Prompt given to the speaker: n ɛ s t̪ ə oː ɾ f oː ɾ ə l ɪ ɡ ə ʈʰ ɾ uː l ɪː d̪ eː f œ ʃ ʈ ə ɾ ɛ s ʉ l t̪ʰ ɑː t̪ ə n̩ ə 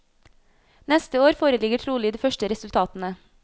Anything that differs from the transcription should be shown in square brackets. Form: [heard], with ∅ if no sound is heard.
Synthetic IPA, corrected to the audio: n ɛ s t̪ ə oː ɾ f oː ɾ ə l ɪ ɡ ə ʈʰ ɾ uː l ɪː d̪ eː f œ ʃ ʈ ə ɾ ɛ s ʉ l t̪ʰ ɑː t̪ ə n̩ ə